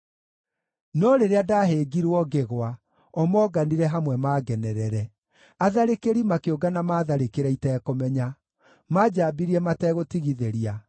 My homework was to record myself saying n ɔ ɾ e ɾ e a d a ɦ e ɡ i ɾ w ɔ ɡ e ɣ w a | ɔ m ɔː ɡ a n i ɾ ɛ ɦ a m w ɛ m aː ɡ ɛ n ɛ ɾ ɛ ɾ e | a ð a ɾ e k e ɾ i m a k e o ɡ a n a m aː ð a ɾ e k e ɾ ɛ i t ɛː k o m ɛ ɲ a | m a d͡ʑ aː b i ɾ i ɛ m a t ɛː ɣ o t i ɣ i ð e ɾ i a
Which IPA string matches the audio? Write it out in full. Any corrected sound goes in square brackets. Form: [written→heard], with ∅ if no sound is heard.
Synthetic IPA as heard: n ɔ ɾ e ɾ e a d a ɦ e ɡ i ɾ w ɔ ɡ e ɣ w a | ɔ m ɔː ɡ a n i ɾ ɛ ɦ a m w ɛ m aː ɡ ɛ n ɛ ɾ ɛ ɾ [e→ɛ] | a ð a ɾ e k e ɾ i m a k e o ɡ a n a m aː ð a ɾ e k e ɾ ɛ i t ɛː k o m ɛ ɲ a | m a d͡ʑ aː b i ɾ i ɛ m a t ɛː ɣ o t i ɣ i ð e ɾ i a